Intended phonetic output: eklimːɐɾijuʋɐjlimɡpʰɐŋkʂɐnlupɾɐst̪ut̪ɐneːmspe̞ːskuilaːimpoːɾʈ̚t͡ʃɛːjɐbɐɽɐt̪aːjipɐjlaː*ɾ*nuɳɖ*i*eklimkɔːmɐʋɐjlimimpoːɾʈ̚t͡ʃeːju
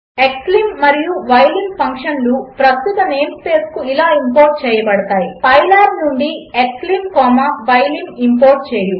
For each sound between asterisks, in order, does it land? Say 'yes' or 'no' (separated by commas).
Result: yes, yes